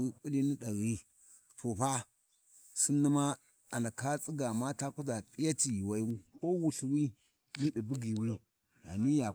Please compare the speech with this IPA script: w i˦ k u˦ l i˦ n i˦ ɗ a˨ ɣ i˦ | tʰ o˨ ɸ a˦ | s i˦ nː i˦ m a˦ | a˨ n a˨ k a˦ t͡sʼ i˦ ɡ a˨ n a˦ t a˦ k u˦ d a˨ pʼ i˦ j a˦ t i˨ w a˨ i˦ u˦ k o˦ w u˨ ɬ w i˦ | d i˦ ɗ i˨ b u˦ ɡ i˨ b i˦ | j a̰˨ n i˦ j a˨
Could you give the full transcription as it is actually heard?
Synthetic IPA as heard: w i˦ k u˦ l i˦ n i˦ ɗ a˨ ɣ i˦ | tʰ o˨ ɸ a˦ | s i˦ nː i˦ m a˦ | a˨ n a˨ k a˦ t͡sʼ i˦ ɡ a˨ m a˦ t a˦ k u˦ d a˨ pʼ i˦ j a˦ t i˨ w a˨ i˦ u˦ k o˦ w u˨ ɬ w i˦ | n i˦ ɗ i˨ b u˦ ɡ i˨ w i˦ | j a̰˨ n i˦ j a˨